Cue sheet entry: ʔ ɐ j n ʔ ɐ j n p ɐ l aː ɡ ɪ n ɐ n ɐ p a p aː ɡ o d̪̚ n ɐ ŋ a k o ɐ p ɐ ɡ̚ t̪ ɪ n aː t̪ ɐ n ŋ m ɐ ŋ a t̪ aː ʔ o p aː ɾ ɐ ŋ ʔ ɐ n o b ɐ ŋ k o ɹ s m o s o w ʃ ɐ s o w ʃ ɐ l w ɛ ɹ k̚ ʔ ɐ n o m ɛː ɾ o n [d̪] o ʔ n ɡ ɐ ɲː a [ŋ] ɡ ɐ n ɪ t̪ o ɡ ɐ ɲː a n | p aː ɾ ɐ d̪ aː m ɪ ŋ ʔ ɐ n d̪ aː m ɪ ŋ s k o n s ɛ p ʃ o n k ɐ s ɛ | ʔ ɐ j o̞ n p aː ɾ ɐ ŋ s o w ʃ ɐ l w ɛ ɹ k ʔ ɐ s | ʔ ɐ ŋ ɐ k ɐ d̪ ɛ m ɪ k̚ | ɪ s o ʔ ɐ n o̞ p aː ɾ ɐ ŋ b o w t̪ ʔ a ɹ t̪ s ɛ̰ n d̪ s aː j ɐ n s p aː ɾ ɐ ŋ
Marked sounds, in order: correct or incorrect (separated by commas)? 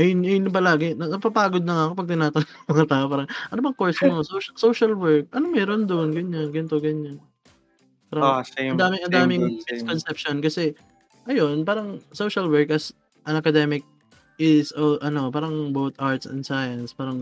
correct, incorrect